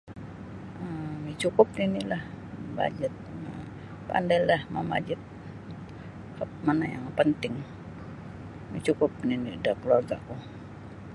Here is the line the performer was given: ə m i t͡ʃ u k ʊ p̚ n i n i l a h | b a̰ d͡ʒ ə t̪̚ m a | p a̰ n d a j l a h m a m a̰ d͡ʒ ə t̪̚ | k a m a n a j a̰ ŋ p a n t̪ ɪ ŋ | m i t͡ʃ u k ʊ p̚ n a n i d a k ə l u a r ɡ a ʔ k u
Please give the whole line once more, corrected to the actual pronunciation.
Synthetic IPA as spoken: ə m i t͡ʃ u k ʊ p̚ n i n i l a h | b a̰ d͡ʒ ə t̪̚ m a | p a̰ n d a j l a h m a m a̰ d͡ʒ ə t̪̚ | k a m a n a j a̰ ŋ p ə n t̪ ɪ ŋ | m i t͡ʃ u k ʊ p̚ n i n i d a k ə l u a r ɡ a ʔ k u